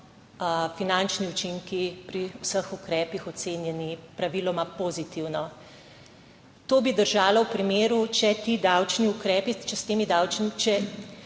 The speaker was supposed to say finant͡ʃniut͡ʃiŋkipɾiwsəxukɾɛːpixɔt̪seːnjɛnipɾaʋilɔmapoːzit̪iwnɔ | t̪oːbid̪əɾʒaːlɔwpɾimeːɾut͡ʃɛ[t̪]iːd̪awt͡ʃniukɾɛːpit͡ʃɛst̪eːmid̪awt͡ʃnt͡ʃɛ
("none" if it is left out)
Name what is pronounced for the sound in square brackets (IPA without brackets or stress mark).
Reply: t̪